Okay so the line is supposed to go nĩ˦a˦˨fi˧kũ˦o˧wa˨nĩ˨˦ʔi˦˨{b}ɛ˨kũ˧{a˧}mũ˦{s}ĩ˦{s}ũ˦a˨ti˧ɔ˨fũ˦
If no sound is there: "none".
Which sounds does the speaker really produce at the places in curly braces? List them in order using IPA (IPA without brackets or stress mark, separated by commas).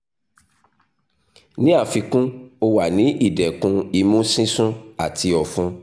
d, i˧, s, s